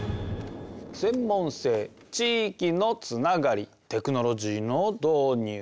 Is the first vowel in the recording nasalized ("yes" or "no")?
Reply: yes